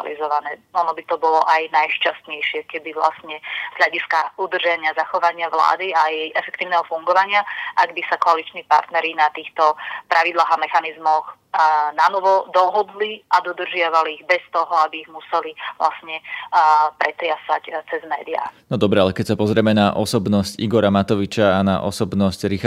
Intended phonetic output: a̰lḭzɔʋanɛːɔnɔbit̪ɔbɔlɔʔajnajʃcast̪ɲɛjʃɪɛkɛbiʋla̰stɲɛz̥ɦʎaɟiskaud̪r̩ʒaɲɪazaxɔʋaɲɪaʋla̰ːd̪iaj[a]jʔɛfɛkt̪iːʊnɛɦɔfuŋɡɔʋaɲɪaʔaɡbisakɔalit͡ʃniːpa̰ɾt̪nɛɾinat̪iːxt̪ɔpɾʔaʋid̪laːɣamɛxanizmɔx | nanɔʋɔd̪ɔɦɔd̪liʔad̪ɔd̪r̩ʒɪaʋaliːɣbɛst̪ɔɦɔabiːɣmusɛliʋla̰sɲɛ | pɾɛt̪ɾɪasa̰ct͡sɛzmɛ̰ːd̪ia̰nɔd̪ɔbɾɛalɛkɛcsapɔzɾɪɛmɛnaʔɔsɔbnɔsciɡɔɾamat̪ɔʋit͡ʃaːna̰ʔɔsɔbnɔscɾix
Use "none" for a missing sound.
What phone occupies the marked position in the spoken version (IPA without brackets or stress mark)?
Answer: ɛ